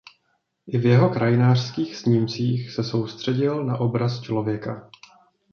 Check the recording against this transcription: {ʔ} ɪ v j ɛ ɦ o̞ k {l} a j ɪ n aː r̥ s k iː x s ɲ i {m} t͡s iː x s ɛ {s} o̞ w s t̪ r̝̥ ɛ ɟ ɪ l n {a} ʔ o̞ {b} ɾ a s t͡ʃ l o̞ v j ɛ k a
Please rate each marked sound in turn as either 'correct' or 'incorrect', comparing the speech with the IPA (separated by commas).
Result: correct, incorrect, correct, correct, correct, correct